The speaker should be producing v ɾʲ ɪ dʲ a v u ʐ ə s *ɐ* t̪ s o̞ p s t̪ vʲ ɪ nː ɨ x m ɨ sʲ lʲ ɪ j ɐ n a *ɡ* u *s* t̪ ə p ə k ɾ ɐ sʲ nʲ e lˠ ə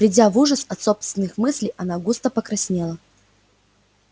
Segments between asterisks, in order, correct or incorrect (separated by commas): correct, correct, correct